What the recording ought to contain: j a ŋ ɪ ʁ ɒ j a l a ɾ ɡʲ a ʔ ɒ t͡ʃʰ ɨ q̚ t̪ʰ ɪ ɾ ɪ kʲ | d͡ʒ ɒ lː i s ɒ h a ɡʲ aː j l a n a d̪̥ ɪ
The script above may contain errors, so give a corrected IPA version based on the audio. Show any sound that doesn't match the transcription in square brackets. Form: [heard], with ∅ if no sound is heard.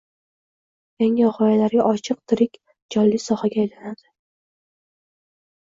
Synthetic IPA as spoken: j a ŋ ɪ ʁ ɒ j a l a ɾ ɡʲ a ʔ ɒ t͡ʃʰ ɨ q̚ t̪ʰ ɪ ɾ ɪ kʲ | d͡ʒ ɒ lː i s ɒ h a ɡʲ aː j l a n a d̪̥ ɪ